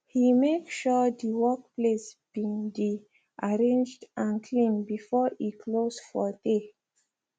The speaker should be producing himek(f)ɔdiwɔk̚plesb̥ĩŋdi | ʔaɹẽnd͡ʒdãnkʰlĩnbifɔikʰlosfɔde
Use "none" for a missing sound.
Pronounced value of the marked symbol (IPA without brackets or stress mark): ʃ